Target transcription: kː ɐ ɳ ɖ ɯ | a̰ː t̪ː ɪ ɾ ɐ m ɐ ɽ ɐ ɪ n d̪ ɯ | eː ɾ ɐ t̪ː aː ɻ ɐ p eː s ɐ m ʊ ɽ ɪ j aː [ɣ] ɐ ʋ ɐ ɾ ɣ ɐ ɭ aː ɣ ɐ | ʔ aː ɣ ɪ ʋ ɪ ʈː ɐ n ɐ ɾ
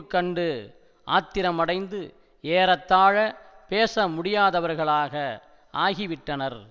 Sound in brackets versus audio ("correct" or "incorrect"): incorrect